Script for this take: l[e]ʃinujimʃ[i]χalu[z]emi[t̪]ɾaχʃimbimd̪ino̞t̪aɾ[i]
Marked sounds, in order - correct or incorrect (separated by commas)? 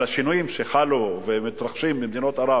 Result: incorrect, incorrect, incorrect, correct, incorrect